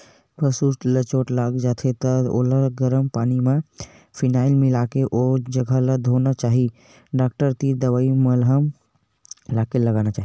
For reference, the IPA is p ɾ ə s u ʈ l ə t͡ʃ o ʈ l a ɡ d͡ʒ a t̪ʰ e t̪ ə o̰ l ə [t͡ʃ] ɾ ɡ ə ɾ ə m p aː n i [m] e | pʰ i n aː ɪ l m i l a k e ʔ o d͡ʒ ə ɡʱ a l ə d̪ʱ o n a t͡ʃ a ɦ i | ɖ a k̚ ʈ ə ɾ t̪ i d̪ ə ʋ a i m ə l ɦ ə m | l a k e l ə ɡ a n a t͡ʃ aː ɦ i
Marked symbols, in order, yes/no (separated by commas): no, yes